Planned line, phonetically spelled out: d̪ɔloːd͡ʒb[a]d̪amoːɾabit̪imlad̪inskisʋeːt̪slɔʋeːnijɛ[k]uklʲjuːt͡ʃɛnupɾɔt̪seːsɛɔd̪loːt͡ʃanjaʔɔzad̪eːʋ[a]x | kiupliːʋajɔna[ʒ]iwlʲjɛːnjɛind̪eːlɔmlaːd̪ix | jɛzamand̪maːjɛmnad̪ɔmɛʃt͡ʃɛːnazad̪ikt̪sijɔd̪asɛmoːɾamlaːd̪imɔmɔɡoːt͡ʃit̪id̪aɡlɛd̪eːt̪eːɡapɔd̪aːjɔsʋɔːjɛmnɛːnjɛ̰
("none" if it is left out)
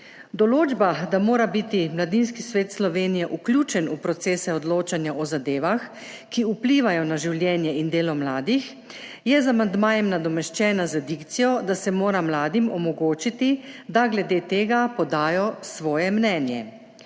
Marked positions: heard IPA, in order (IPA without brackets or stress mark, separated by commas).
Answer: a, ʔ, a, ʒ